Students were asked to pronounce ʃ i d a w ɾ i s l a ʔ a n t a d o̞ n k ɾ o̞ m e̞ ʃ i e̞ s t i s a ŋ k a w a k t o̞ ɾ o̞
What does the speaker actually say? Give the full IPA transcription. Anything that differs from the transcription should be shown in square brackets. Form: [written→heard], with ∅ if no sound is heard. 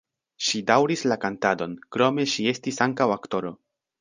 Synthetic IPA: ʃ i d a w ɾ i s l a [ʔ→k] a n t a d o̞ n k ɾ o̞ m e̞ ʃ i e̞ s t i s a ŋ k a w a k t o̞ ɾ o̞